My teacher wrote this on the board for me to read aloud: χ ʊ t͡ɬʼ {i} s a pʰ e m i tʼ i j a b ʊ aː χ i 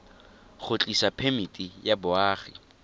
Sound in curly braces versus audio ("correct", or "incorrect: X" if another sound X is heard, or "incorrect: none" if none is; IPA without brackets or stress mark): correct